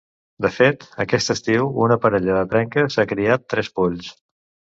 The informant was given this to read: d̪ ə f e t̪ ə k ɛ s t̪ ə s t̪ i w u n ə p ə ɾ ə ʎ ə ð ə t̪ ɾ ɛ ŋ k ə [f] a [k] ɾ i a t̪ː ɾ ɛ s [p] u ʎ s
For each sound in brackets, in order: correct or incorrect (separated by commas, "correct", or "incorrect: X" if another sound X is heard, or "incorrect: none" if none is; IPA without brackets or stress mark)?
incorrect: s, correct, correct